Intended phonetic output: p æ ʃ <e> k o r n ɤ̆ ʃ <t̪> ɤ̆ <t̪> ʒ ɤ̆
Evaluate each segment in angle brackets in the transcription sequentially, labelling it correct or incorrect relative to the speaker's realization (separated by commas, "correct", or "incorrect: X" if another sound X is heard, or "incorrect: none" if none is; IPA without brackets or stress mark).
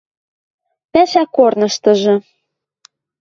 incorrect: æ, correct, incorrect: none